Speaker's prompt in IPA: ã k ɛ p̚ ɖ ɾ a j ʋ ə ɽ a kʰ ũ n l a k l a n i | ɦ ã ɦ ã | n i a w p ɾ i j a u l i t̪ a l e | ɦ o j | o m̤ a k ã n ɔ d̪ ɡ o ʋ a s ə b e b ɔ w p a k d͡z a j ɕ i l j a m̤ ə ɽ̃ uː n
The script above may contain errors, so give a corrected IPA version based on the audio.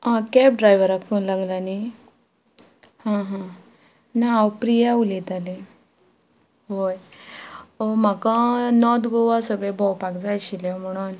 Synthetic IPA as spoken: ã k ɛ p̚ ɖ ɾ a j ʋ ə ɾ a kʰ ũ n l a ɡ l a n i | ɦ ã ɦ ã | n a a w p ɾ i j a u l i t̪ a l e | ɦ o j | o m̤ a k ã n ɔ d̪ ɡ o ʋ a s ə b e b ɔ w p a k d͡z a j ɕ i l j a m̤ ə ɽ̃ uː n